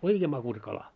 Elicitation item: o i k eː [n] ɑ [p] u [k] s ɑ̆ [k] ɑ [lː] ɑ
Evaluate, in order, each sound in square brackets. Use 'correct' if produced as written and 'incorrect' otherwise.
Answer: incorrect: m, incorrect: k, incorrect: none, correct, incorrect: l

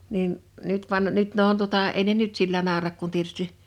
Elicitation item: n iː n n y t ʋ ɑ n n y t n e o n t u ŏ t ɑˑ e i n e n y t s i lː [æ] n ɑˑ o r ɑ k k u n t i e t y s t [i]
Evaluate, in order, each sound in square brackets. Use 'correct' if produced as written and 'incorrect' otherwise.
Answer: correct, correct

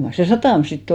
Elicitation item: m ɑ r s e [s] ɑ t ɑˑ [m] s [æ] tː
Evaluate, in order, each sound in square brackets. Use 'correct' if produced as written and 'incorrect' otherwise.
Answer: correct, correct, incorrect: i

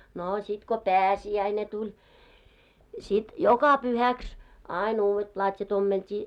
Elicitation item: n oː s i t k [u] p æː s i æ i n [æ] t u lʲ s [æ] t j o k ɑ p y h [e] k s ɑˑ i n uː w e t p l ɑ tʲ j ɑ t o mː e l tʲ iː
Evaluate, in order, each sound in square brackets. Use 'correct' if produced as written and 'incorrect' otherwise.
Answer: incorrect: o, incorrect: e, incorrect: i, incorrect: æ

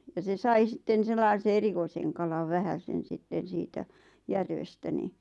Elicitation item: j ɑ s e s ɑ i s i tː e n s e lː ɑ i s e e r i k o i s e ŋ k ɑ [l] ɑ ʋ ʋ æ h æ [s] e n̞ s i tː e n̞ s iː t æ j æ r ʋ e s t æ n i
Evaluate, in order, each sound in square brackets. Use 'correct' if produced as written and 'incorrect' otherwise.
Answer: correct, correct

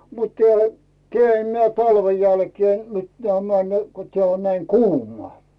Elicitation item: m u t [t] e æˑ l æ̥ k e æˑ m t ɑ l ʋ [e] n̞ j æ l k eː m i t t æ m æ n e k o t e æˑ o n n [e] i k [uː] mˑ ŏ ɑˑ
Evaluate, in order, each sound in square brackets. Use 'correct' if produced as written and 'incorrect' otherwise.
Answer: correct, correct, incorrect: æ, correct

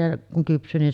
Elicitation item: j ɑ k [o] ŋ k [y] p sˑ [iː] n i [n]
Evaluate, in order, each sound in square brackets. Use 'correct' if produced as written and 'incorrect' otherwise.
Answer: incorrect: u, correct, incorrect: yː, correct

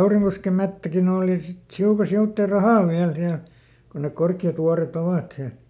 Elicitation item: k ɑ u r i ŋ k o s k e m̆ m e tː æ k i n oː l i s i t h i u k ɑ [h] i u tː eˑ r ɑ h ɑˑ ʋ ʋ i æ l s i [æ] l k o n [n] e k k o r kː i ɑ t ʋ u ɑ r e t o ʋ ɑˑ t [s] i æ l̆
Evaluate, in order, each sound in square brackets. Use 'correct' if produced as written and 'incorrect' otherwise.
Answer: incorrect: s, correct, correct, correct

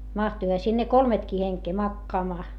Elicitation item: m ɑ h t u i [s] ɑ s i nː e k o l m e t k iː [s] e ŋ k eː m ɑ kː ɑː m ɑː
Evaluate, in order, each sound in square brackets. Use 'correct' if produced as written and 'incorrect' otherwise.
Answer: incorrect: h, incorrect: h

